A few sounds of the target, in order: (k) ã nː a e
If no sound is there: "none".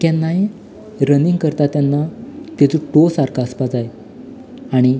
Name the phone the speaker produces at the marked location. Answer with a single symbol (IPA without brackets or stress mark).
k